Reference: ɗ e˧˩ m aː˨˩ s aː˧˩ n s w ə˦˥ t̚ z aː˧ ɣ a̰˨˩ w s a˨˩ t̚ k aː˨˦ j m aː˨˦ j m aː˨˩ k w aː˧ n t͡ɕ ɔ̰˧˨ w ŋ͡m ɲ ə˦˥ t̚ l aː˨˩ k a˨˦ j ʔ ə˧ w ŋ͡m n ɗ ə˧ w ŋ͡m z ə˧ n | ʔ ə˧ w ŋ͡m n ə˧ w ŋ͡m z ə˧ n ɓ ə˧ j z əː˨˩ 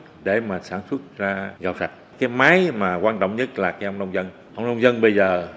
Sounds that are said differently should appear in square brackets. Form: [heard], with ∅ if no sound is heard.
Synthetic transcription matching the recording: ɗ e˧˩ m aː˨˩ s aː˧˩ n s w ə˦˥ t̚ z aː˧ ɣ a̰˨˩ w s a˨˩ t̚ k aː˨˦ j m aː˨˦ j m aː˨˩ k w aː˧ n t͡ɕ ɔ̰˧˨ w ŋ͡m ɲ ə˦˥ t̚ l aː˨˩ k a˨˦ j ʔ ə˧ w ŋ͡m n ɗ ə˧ w ŋ͡m z ə˧ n | ʔ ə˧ w ŋ͡m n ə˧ w ŋ͡m z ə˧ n ɓ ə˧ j z əː˨˩

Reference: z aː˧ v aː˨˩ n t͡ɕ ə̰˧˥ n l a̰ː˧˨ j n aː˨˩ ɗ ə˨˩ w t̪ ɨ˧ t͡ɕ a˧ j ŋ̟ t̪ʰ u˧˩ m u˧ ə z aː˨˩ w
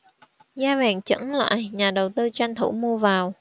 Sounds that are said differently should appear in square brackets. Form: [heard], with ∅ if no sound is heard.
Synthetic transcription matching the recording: z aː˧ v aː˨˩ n t͡ɕ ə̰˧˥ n l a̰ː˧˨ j [ɲ] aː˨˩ ɗ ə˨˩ w t̪ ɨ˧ t͡ɕ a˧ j ŋ̟ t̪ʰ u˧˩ m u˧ ə [v] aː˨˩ w

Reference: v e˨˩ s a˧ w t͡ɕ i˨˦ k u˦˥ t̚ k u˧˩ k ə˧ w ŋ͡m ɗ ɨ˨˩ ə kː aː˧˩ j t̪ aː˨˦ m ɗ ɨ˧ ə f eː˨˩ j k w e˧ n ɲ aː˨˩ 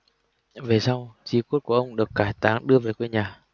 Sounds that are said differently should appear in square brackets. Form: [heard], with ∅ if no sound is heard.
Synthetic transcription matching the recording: v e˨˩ s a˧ w t͡ɕ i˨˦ k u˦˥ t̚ k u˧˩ [ʔ] ə˧ w ŋ͡m ɗ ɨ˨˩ ə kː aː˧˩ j t̪ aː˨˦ [ŋ] ɗ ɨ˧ ə [v] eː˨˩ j k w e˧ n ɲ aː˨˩

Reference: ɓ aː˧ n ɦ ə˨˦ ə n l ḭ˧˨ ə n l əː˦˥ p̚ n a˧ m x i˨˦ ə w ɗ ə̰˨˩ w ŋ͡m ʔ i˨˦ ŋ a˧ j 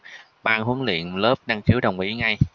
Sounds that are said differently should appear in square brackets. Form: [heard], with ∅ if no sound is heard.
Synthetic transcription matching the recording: ɓ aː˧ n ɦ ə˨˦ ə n l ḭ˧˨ ə n l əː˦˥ p̚ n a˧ [ŋ] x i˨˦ ə w ɗ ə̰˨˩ w ŋ͡m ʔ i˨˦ ŋ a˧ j

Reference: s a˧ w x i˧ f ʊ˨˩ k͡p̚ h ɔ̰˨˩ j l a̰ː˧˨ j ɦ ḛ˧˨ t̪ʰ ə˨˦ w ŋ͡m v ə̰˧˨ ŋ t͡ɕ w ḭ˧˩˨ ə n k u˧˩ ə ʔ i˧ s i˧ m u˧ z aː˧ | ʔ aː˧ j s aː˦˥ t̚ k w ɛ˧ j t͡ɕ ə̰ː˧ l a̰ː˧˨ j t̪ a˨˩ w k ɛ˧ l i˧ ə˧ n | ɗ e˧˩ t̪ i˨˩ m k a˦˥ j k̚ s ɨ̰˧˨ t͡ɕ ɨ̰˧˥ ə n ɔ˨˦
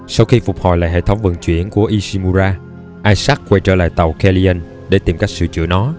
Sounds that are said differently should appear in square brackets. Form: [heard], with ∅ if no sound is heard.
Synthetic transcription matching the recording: s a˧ w x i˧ f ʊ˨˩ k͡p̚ h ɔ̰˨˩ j l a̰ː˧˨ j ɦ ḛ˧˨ t̪ʰ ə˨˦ w ŋ͡m v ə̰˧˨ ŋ t͡ɕ w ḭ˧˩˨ ə n k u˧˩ ə ʔ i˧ s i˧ m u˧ z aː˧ | ʔ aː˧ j s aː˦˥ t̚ k w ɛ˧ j t͡ɕ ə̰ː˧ l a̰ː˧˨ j t̪ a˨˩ w k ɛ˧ l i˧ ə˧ n | ɗ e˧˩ t̪ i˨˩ m k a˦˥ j k̚ s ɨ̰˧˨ t͡ɕ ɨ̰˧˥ ə n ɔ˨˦

